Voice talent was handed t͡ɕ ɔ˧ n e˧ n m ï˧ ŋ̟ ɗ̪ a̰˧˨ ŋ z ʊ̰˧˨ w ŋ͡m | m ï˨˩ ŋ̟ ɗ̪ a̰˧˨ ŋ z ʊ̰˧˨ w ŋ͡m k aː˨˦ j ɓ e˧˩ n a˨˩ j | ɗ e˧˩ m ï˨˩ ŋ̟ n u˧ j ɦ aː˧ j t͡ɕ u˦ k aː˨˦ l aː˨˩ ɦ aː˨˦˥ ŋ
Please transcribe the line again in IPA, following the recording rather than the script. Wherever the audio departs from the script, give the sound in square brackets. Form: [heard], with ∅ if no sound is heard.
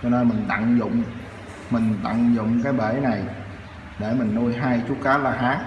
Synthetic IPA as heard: t͡ɕ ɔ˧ n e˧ n m [ï˨˩] ŋ̟ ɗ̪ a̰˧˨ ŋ z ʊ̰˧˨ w ŋ͡m | m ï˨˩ ŋ̟ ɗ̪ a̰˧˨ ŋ z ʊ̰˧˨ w ŋ͡m k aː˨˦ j ɓ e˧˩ n a˨˩ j | ɗ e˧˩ m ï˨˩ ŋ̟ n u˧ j ɦ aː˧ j t͡ɕ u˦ k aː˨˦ l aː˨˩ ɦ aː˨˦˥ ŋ